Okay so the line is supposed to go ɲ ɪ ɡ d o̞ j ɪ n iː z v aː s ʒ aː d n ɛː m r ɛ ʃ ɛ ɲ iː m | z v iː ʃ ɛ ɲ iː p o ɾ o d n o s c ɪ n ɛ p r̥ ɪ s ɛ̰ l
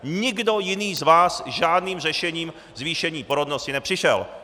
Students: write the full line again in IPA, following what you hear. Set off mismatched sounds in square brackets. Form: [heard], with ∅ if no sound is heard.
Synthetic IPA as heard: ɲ ɪ ɡ d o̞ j ɪ n iː z v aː s ʒ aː d n [iː] m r ɛ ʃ ɛ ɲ iː m | z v iː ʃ ɛ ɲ iː p o ɾ o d n o s c ɪ n ɛ p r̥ ɪ [ʃ] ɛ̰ l